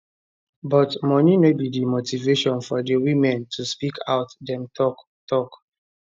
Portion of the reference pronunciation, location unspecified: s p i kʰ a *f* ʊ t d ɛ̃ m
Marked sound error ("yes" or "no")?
yes